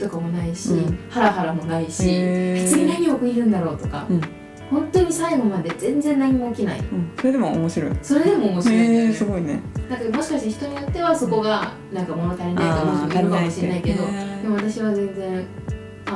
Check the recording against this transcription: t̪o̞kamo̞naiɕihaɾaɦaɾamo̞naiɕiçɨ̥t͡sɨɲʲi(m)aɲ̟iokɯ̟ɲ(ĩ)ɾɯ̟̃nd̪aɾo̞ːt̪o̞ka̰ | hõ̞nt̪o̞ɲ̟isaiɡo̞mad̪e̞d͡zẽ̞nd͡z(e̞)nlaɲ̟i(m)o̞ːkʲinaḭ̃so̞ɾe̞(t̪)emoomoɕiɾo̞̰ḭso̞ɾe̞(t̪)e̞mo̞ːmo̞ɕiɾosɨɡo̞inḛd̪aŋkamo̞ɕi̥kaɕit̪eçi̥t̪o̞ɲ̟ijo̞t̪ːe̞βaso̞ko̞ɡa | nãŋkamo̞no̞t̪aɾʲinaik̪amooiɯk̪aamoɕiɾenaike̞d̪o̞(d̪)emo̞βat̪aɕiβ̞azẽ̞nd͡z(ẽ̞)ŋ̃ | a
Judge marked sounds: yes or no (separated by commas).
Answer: no, no, no, yes, no, no, yes, yes